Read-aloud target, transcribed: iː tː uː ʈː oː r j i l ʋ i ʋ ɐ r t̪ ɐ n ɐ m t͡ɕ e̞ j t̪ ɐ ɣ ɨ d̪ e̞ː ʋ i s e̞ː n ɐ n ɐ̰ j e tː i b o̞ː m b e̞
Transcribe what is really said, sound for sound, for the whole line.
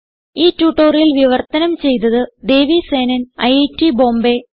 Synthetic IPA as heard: iː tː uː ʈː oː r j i l ʋ i ʋ ɐ r t̪ ɐ n ɐ m t͡ɕ e̞ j t̪ ɐ ð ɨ d̪ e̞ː ʋ i s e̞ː n ɐ n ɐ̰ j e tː i b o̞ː m b e̞